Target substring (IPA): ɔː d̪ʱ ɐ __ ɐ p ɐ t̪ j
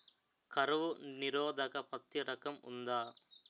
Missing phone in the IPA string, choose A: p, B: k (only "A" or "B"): B